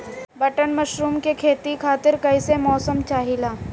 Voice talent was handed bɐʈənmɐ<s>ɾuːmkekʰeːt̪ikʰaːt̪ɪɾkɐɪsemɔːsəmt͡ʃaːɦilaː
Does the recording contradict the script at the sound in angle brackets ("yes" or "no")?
yes